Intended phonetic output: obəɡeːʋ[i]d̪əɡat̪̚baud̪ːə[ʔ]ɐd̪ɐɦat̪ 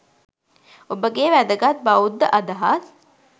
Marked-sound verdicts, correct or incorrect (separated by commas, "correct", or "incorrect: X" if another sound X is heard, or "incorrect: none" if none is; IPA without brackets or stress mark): incorrect: æ, correct